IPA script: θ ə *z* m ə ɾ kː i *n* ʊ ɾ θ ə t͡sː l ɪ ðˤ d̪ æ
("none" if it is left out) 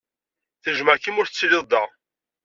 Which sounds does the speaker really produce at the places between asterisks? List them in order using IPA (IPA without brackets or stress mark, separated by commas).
ʒ, m